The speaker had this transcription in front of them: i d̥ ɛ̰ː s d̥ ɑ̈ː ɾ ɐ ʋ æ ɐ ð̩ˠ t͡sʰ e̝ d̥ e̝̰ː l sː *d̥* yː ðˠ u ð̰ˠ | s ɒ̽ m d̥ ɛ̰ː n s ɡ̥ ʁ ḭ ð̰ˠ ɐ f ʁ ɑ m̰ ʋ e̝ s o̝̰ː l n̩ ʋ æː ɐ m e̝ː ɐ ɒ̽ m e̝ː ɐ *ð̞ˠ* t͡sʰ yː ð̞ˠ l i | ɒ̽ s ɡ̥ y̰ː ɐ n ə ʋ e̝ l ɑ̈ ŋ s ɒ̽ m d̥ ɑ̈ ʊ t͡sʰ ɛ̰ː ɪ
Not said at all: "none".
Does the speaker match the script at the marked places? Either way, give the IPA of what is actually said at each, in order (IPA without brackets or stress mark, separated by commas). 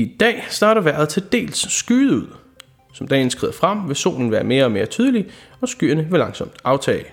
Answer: ɡ̥, none